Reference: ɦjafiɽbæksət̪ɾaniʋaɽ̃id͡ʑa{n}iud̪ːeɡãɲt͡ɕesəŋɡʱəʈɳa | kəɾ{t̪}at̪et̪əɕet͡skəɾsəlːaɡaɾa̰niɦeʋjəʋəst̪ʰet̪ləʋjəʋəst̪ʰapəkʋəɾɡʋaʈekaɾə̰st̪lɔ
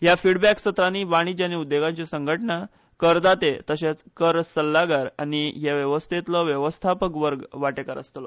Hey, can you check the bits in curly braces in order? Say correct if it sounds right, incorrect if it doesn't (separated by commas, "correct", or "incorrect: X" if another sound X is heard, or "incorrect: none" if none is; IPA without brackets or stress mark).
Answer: correct, incorrect: d̪